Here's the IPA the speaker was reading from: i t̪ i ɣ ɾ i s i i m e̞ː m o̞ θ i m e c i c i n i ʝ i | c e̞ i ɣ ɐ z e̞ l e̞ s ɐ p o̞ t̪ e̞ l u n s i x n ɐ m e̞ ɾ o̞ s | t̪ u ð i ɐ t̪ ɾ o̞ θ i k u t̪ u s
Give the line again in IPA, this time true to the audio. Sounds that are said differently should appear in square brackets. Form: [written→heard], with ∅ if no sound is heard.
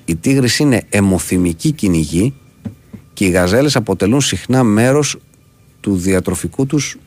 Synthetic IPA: i t̪ i ɣ ɾ i s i i [m→n] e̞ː m o̞ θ i m [e→i] c i c i n i ʝ i | c e̞ i ɣ ɐ z e̞ l e̞ s ɐ p o̞ t̪ e̞ l u n s i x n ɐ m e̞ ɾ o̞ s | t̪ u ð i ɐ t̪ ɾ o̞ [θ→f] i k u t̪ u s